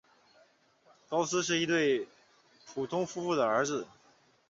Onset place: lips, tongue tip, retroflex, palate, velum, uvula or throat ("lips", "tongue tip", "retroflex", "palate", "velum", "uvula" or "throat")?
velum